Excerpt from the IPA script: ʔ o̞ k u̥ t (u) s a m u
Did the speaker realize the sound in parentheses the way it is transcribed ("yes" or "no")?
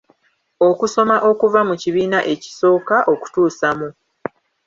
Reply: no